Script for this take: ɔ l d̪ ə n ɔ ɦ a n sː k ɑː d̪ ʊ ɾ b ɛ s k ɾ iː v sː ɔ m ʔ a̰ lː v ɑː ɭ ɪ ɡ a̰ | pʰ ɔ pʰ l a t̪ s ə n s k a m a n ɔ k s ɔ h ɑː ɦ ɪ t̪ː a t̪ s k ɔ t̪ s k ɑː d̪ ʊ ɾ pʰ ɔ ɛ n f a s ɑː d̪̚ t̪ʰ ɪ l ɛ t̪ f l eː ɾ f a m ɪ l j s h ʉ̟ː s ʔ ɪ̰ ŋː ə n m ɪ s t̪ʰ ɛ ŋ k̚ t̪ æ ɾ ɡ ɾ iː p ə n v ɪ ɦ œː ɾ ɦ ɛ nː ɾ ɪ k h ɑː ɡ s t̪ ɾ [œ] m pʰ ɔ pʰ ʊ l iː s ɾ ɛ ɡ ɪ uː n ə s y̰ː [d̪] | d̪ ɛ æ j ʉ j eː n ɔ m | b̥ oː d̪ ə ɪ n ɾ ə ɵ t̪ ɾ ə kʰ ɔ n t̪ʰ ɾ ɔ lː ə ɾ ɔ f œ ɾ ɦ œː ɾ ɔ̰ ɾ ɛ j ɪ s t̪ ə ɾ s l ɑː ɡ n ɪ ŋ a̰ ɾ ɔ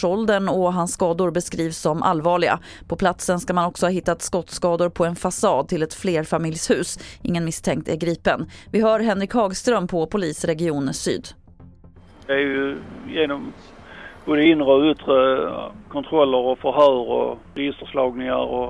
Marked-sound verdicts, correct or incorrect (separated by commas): correct, correct